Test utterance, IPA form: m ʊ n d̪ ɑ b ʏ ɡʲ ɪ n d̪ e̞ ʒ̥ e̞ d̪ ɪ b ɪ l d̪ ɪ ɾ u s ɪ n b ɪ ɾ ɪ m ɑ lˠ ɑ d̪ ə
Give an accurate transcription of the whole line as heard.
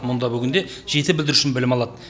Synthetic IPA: m ʊ n d̪ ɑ b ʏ ɡʲ ɪ n d̪ e̞ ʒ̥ e̞ t̪ ɪ b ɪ l d̪ ɪ ɾ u ʃ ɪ n b ɪ l ɪ m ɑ lˠ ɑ d̪ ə